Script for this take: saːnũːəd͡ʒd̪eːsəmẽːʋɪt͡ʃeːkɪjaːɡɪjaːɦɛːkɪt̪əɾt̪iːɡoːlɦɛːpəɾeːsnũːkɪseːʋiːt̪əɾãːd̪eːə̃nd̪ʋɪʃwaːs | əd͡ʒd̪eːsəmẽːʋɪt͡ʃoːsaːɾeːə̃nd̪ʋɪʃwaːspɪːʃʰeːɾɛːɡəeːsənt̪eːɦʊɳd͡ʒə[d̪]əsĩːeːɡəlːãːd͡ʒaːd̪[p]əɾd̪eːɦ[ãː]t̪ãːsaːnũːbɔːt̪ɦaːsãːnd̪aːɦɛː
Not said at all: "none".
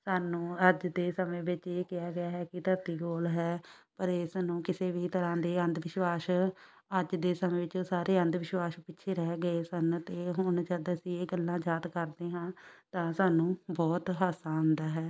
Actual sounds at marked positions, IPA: d̪, k, ãː

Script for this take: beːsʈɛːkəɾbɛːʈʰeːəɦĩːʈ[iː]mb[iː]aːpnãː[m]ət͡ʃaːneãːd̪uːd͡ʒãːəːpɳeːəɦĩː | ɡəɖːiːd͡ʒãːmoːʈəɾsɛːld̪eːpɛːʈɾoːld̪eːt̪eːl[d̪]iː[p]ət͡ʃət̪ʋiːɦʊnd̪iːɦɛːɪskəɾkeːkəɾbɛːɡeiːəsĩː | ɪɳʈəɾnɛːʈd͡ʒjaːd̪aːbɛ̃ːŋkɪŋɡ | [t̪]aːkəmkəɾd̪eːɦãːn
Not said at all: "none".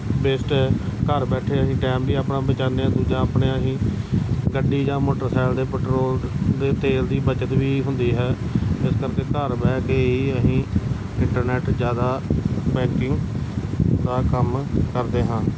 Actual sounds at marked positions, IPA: ɛː, iː, b, d̪, b, d̪

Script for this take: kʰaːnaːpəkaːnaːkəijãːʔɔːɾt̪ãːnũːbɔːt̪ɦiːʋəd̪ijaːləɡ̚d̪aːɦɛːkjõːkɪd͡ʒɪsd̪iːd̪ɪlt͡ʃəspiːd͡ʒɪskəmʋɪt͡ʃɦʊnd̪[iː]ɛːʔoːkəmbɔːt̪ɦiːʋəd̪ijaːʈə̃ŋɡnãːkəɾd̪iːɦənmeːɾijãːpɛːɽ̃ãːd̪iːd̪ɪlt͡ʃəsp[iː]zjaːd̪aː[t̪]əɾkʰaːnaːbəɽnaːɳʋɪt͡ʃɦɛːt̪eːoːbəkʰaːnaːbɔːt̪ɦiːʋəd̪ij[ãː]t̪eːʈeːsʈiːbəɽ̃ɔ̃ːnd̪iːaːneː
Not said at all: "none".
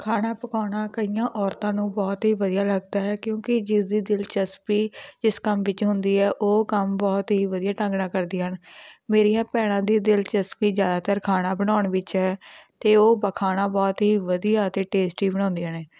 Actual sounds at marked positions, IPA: iː, iː, t̪, aː

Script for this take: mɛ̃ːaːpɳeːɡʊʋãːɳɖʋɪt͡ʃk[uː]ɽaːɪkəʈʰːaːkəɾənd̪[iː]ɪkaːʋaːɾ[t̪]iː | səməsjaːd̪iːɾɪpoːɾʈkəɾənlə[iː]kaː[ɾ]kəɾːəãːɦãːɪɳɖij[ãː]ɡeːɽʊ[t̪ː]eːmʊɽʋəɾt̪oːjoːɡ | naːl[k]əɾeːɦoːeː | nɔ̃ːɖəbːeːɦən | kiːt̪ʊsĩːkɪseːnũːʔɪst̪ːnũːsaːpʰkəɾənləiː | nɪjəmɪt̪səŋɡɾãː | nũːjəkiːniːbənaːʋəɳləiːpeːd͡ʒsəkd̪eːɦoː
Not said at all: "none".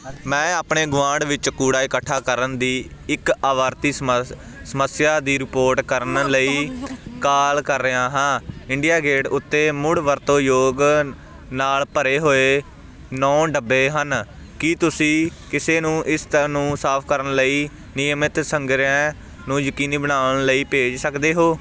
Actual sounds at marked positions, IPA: uː, iː, t̪, iː, l, aː, t̪ː, p

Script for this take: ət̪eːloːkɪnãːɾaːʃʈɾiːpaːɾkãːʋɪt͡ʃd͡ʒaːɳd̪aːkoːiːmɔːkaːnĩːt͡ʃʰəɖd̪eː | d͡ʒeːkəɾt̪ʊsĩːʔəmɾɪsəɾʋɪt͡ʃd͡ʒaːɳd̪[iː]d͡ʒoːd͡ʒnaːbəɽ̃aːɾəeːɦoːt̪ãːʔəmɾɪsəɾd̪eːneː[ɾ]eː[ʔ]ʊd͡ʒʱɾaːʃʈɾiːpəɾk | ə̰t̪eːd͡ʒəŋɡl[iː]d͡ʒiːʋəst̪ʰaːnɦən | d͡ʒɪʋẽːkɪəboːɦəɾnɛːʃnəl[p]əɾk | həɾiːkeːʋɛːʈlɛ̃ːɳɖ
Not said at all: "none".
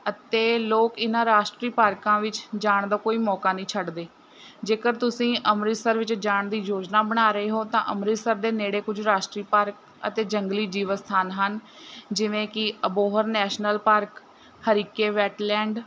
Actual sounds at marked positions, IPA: iː, ɽ, k, iː, p

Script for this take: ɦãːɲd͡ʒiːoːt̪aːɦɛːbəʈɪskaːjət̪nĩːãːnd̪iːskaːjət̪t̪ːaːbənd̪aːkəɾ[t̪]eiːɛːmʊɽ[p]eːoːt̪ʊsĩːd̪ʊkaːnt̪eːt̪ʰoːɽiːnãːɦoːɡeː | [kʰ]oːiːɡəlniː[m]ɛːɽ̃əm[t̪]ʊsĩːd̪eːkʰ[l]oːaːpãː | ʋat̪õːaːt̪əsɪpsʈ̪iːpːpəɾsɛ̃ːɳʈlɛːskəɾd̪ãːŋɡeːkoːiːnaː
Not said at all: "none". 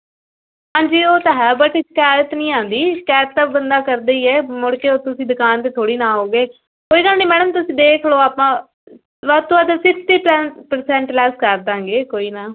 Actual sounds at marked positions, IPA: d̪, k, k, m, t̪, l

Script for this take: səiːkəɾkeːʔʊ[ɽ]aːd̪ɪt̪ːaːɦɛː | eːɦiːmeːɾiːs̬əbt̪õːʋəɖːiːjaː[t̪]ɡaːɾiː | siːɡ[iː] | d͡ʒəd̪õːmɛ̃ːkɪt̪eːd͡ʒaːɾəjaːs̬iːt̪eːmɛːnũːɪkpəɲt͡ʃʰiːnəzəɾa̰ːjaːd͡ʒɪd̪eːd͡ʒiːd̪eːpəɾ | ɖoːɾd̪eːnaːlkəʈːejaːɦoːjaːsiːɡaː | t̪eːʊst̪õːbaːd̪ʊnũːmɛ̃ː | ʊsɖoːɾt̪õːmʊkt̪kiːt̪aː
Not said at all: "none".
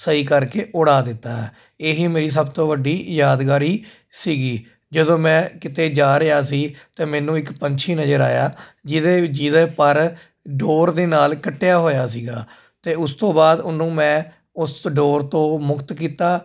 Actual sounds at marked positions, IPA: ɽ, d̪, iː

